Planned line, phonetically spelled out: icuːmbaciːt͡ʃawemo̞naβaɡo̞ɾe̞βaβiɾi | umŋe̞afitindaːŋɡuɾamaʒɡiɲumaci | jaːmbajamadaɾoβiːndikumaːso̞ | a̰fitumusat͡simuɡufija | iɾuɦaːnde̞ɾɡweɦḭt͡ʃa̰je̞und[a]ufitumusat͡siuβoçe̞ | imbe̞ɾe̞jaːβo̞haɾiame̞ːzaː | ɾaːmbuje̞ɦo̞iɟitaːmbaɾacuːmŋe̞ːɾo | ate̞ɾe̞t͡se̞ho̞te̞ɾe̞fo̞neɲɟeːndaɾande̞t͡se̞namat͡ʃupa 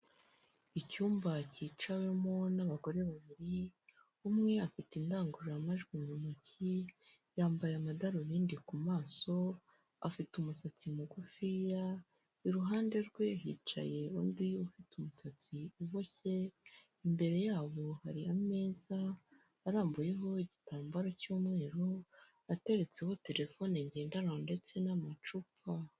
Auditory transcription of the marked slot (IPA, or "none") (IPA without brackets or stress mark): i